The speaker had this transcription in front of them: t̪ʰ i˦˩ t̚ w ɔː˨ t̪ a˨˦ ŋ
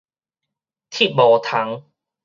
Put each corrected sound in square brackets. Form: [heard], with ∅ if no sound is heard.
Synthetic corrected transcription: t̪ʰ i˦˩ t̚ [b] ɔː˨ [t̪ʰ] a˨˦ ŋ